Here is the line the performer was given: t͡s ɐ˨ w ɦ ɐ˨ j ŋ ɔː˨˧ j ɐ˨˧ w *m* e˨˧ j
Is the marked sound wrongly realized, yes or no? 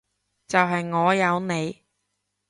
yes